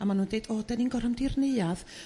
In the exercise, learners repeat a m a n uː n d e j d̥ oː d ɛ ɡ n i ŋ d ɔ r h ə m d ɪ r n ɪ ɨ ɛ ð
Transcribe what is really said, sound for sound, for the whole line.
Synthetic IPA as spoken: a m a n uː n d e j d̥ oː d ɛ n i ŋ ɡ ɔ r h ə m d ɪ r n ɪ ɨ a ð

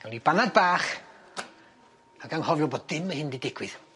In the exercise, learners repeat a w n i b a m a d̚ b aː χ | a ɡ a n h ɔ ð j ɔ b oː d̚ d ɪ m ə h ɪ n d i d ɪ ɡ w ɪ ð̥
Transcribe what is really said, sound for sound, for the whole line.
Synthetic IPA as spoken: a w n i b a n a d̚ b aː χ | a ɡ a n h ɔ v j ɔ b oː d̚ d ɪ m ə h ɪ n d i d ɪ ɡ w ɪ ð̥

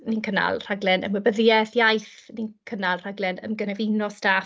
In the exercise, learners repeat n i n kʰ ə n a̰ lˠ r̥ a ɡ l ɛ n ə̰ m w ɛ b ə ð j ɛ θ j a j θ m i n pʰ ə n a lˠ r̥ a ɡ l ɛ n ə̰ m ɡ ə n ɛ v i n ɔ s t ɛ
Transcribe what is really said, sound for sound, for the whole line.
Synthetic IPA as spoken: n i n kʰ ə n a̰ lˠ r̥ a ɡ l ɛ n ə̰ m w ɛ b ə ð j ɛ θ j a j θ n i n kʰ ə n a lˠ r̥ a ɡ l ɛ n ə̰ m ɡ ə n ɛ v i n ɔ s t a

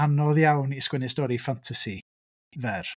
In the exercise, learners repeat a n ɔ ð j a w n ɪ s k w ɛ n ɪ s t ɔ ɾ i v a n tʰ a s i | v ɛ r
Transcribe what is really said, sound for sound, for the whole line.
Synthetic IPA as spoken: a n ɔ ð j a w n i s k w ɛ n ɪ s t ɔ ɾ i f a n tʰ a s i | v ɛ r

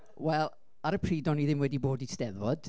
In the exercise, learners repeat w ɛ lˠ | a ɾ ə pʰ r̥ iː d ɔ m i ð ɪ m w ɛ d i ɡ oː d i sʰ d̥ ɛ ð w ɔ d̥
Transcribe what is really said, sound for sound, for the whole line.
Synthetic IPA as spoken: w ɛ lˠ | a ɾ ə pʰ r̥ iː d ɔ n i ð ɪ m w ɛ d i b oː d i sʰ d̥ ɛ ð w ɔ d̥

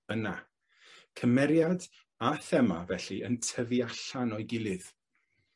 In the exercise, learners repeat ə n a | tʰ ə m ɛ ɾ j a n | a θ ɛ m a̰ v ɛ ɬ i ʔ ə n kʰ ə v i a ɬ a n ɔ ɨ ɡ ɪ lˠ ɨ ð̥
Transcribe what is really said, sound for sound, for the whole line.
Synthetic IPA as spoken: ə n a | kʰ ə m ɛ ɾ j a d | a θ ɛ m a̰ v ɛ ɬ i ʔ ə n tʰ ə v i a ɬ a n ɔ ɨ ɡ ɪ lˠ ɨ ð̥

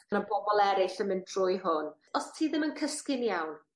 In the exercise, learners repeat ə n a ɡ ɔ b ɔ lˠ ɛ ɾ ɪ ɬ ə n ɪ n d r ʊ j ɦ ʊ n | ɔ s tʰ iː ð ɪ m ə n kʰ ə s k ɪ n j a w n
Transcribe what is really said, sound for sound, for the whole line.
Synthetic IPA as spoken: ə n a b ɔ b ɔ lˠ ɛ ɾ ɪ ɬ ə m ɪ n d r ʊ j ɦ ʊ n | ɔ s tʰ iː ð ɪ m ə n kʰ ə s k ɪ n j a w n

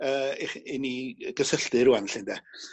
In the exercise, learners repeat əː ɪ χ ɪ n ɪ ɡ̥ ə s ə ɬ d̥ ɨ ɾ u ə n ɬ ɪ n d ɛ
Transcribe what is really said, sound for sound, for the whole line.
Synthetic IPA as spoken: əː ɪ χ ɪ n i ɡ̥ ə s ə ɬ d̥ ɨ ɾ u a n ɬ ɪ n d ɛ

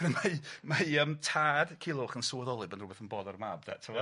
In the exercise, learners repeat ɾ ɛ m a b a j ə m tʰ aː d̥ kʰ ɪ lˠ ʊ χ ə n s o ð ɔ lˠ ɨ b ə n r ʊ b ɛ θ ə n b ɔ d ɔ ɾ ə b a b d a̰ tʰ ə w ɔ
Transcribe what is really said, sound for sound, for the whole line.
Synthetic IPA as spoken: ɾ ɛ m a m a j ə m tʰ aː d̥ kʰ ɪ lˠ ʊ χ ə n s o ð ɔ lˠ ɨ b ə n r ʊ b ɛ θ ə n b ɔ d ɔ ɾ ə m a b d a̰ tʰ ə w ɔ

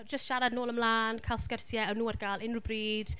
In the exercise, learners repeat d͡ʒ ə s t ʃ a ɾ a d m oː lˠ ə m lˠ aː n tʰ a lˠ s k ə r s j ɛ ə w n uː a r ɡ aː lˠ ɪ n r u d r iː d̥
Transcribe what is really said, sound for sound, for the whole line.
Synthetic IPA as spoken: d͡ʒ ə s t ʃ a ɾ a d n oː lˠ ə m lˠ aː n kʰ a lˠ s k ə r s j ɛ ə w n uː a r ɡ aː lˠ ɪ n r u b r iː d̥

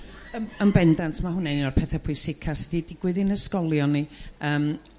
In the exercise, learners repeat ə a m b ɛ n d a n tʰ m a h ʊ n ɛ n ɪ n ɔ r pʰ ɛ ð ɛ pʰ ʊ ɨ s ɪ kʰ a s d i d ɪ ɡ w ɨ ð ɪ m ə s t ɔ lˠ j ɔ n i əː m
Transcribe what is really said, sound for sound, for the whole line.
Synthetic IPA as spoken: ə ə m b ɛ n d a n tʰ m a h ʊ n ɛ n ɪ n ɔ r pʰ ɛ θ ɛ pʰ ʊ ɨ s ɪ kʰ a s d i d ɪ ɡ w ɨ ð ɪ n ə s k ɔ lˠ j ɔ n i əː m

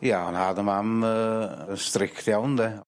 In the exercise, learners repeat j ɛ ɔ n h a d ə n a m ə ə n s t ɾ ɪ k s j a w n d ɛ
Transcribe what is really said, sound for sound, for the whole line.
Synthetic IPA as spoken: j a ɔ n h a d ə m a m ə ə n s t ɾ ɪ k t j a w n d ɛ

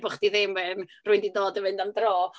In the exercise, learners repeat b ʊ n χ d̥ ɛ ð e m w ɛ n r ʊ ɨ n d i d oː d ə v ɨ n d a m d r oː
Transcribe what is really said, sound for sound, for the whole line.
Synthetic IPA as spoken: b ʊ χ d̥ i ð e m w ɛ n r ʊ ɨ n d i d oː d ə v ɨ n d a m d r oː

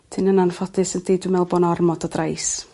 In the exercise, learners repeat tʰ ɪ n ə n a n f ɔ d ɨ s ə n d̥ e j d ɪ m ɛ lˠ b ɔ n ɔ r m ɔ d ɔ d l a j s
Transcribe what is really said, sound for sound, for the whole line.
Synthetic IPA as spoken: tʰ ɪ n ə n a n f ɔ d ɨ s ə n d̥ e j d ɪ m ɛ lˠ b ɔ n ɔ r m ɔ d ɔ d r a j s

